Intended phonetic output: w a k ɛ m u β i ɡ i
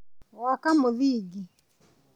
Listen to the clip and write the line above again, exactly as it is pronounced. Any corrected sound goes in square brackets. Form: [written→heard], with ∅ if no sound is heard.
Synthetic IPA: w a k [ɛ→a] m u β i ɡ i